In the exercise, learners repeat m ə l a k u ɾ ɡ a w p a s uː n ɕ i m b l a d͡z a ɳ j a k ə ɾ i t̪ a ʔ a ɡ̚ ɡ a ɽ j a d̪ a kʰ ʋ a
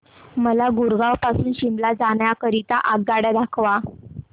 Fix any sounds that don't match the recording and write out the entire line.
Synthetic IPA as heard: m ə l a ɡ u ɾ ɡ a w p a s uː n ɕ i m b l a d͡z a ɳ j a k ə ɾ i t̪ a ʔ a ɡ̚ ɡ a ɽ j a d̪ a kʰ ʋ a